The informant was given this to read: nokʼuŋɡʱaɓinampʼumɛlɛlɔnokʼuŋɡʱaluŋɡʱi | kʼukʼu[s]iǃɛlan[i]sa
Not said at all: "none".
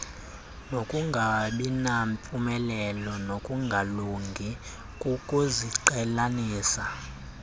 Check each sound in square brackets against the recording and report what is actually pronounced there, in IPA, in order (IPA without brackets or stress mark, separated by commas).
z, iː